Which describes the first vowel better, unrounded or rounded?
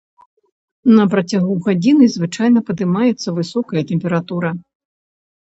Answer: unrounded